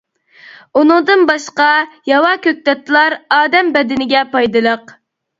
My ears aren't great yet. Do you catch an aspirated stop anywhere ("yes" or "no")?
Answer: no